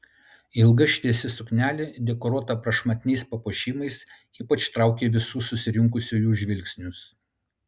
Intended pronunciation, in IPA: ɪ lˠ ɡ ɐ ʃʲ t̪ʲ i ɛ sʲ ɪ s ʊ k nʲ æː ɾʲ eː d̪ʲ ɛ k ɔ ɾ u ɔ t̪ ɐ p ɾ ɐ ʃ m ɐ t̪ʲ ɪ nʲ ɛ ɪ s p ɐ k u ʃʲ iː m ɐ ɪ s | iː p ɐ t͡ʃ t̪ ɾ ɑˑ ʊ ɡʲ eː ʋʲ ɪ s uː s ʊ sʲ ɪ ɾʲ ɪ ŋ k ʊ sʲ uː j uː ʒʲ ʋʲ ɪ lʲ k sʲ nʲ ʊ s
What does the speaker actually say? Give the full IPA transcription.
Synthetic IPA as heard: ɪ lˠ ɡ ɐ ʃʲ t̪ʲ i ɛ sʲ ɪ s ʊ k nʲ æː lʲ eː d̪ʲ ɛ k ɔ ɾ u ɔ t̪ ɐ p ɾ ɐ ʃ m ɐ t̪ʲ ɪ nʲ ɛ ɪ s p ɐ p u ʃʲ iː m ɐ ɪ s | iː p ɐ t͡ʃ t̪ ɾ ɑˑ ʊ kʲ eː ʋʲ ɪ s uː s ʊ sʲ ɪ ɾʲ ɪ ŋ k ʊ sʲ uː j uː ʒʲ ʋʲ ɪ lʲ k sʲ nʲ ʊ s